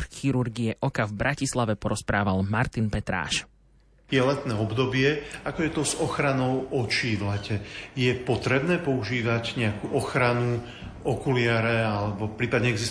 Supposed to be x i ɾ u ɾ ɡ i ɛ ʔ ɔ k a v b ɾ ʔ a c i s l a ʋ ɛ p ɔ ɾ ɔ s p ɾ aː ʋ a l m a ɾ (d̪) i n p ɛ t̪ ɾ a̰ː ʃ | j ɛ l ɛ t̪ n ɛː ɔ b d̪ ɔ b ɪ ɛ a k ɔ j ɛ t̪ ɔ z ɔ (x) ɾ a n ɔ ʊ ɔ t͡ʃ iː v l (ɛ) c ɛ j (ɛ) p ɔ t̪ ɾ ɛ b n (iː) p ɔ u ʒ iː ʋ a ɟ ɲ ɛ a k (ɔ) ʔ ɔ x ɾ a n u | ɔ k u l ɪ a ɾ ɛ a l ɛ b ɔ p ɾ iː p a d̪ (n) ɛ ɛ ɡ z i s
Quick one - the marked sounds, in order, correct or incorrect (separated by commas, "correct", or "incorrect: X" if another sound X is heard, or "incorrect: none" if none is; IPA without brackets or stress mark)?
incorrect: t̪, correct, correct, correct, incorrect: ɛː, incorrect: u, incorrect: ɲ